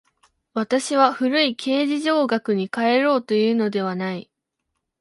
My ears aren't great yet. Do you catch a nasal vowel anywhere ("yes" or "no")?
no